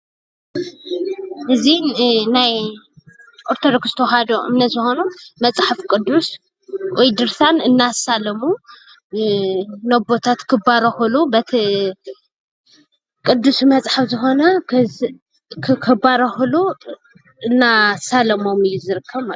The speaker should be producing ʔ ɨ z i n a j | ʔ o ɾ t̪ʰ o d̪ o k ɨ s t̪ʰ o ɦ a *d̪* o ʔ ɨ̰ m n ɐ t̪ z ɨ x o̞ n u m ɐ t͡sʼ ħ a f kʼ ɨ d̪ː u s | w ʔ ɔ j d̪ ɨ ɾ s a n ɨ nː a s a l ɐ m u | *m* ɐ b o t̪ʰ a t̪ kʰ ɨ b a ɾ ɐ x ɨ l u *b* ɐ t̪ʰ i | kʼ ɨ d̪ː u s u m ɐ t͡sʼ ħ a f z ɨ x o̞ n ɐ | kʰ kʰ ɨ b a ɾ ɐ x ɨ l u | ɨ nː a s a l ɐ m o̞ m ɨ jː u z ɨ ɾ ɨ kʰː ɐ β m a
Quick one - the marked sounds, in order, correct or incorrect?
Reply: correct, incorrect, correct

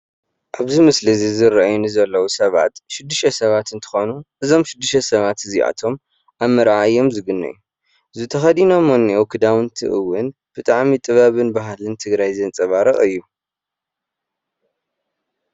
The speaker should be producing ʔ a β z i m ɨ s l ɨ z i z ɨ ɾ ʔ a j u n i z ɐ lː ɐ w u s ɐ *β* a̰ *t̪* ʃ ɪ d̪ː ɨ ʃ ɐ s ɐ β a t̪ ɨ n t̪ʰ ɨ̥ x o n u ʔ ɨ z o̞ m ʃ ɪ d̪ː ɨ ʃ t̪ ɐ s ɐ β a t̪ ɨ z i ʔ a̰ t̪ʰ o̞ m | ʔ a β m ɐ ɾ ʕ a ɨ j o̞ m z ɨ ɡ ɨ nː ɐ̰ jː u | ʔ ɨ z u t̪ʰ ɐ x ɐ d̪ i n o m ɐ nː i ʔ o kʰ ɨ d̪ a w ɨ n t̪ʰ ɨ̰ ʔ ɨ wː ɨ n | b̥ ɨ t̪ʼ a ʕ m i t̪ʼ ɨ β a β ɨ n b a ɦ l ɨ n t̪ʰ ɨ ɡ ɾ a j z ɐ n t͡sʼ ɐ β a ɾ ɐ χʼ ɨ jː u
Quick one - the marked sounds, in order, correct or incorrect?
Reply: correct, correct

